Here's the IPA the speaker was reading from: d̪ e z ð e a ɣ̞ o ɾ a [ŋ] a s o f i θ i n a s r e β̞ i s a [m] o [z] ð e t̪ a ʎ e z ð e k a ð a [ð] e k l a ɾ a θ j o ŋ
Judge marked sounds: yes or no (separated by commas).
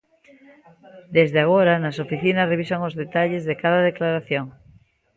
no, no, yes, yes